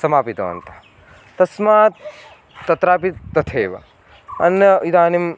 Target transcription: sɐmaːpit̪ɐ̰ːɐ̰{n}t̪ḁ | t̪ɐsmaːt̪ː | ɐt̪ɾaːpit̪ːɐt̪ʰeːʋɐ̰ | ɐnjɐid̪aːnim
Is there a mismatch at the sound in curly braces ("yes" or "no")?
no